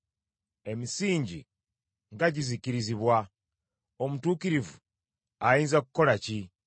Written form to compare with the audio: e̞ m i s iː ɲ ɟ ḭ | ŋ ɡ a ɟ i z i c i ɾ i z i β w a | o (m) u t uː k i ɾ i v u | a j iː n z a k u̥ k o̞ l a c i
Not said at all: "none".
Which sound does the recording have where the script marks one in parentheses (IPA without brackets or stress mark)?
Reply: m